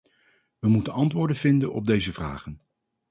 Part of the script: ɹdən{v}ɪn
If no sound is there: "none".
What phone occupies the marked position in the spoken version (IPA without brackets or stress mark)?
v